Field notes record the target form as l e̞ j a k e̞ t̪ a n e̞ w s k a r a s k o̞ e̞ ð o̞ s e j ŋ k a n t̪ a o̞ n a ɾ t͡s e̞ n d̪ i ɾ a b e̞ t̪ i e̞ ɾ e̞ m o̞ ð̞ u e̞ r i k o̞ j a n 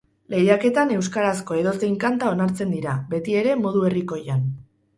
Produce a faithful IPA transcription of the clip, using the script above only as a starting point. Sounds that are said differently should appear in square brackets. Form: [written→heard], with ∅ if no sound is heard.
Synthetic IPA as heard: l e̞ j a k e̞ t̪ a n e̞ w s k a [r→ɾ] a s k o̞ e̞ ð o̞ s e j ŋ k a n t̪ a o̞ n a ɾ t͡s e̞ n d̪ i ɾ a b e̞ t̪ i e̞ ɾ e̞ m o̞ ð̞ u e̞ r i k o̞ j a n